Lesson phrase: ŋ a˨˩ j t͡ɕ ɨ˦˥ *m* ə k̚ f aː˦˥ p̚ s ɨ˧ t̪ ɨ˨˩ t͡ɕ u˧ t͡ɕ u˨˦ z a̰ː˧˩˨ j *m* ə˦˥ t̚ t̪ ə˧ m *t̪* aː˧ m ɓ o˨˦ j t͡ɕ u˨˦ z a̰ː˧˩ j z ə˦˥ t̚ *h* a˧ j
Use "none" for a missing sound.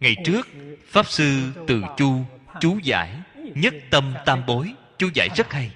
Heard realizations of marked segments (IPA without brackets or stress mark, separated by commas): none, ɲ, t̪, h